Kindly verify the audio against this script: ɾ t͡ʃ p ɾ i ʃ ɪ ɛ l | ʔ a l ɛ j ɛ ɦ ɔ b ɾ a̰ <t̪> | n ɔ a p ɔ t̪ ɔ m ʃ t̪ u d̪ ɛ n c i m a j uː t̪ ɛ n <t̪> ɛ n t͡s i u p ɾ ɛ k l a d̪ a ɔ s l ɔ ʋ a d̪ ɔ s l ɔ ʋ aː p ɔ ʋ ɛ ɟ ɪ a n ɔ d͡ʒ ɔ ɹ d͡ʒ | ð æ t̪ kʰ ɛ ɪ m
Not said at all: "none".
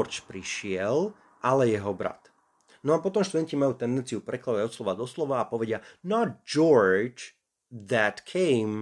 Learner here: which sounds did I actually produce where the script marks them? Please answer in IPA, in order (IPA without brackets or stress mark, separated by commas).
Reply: t̪, d̪